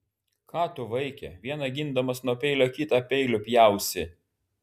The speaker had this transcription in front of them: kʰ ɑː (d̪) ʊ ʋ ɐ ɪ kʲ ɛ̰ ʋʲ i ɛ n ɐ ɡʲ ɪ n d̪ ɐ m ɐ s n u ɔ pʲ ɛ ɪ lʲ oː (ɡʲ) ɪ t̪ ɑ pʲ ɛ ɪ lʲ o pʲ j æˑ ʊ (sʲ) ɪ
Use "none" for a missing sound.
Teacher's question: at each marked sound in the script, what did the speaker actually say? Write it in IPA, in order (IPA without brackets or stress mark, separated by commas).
t̪, kʲ, sʲ